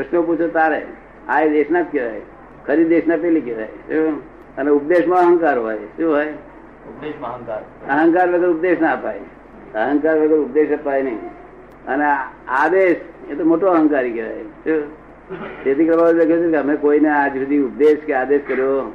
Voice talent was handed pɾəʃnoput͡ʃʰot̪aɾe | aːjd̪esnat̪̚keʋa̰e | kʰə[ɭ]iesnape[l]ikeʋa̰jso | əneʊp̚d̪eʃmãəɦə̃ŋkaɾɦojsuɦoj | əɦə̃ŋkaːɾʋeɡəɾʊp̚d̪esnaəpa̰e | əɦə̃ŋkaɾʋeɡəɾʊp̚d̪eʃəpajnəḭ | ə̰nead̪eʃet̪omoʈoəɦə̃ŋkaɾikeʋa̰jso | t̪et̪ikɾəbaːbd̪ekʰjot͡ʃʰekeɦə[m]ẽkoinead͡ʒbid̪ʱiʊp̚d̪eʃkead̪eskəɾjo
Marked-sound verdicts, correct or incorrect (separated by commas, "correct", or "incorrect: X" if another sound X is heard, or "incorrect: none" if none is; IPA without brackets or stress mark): incorrect: ɾ, correct, correct